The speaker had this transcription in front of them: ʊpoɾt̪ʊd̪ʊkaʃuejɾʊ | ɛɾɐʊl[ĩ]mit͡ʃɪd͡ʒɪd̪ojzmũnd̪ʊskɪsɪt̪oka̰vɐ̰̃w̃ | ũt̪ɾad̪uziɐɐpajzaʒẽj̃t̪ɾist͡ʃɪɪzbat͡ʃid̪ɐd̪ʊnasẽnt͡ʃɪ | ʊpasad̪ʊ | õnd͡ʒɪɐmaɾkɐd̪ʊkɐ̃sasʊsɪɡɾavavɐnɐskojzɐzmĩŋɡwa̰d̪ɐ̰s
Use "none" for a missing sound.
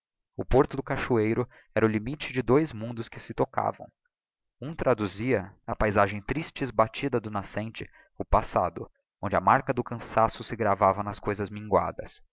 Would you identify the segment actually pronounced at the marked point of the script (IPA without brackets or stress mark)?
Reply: i